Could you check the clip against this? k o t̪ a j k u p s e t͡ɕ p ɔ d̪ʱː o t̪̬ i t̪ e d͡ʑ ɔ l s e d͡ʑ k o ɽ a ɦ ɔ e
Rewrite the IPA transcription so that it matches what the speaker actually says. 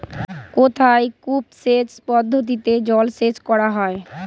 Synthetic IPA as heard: k o t̪ʰ a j k u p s e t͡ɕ p ɔ d̪ʱː o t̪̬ i t̪ e d͡ʑ ɔ l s e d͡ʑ k ɔ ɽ a ɦ ɔ e